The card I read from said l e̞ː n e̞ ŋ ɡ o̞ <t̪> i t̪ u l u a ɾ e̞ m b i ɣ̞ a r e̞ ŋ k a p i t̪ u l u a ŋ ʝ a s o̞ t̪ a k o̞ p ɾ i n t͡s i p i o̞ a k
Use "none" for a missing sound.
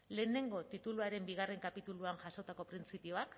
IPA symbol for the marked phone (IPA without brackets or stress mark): t̪